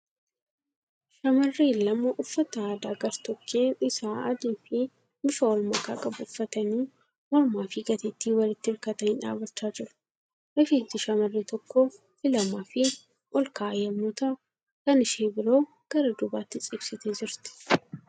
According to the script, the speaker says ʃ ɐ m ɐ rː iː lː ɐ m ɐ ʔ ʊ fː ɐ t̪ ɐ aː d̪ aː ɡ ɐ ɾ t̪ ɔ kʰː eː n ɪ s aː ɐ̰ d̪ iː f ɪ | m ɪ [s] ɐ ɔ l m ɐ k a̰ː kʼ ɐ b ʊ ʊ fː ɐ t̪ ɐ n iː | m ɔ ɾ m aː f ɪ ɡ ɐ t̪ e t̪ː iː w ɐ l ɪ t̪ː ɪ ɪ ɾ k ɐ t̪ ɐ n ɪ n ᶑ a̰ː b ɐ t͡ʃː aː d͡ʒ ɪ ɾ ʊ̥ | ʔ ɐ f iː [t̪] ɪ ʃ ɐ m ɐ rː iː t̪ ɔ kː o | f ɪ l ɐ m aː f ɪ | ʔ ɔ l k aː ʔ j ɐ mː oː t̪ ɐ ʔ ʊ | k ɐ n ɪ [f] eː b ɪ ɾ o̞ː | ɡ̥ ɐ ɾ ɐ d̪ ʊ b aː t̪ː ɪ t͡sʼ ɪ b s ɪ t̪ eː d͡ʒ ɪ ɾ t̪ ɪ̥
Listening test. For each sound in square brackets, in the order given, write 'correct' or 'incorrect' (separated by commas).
incorrect, correct, incorrect